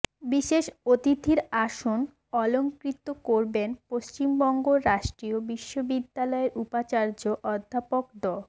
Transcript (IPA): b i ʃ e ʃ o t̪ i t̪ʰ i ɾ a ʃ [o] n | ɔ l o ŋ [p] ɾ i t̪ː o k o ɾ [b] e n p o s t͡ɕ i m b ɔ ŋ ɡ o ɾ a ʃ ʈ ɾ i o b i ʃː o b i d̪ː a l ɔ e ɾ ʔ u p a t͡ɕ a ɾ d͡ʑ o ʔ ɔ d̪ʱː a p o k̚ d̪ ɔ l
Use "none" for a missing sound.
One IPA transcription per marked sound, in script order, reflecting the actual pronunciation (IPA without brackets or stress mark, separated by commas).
o, k, b